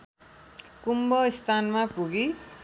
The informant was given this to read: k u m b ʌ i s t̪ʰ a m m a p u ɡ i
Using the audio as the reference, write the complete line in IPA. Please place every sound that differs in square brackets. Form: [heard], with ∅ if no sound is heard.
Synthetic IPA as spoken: k u m b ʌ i s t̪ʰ a [n] m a p u ɡ i